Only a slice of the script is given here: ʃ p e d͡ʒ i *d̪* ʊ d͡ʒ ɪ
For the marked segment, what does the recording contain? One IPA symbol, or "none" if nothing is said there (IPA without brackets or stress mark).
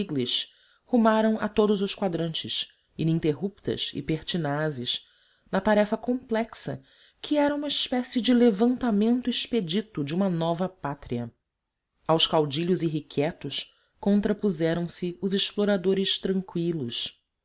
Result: t̪